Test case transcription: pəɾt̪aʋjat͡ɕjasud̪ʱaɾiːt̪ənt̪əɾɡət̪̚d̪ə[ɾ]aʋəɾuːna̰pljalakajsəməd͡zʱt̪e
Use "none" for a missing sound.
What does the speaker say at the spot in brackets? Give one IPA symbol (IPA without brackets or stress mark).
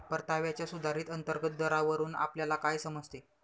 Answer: ɾ